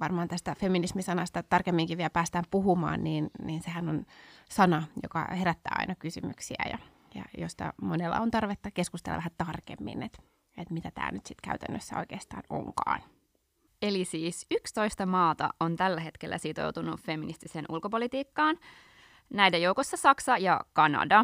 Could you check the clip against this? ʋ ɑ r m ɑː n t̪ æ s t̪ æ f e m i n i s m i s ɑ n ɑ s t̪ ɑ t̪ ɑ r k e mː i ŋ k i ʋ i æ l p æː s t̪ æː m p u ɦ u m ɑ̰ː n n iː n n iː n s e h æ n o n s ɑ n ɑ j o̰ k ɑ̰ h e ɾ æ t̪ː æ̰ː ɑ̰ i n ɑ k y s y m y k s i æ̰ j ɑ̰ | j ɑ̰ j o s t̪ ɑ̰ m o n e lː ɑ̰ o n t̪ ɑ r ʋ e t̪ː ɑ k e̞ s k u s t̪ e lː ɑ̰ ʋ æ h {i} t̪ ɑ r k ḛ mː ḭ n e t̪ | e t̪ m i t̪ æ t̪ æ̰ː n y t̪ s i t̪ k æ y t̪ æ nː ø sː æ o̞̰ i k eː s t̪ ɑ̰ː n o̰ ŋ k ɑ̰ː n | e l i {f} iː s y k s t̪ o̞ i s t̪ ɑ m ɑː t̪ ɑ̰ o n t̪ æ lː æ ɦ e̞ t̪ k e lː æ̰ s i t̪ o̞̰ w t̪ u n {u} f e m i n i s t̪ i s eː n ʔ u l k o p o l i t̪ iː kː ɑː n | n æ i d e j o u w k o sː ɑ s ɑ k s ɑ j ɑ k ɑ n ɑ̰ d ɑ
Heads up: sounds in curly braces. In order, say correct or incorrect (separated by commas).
incorrect, incorrect, correct